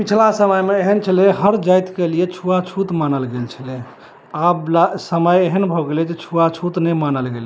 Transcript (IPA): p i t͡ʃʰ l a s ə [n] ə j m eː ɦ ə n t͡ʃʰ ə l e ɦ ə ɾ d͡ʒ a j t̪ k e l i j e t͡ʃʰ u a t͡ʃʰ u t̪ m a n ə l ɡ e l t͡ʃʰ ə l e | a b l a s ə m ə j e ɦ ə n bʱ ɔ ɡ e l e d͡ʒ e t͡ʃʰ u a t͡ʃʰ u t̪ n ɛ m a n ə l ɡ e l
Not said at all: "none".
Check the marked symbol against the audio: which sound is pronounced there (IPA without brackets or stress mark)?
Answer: m